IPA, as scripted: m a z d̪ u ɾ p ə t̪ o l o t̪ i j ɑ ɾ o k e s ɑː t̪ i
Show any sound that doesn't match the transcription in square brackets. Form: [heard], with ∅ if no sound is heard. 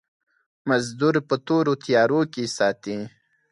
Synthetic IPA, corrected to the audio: m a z d̪ u ɾ p ə t̪ o [ɾ] o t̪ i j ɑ ɾ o k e s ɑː t̪ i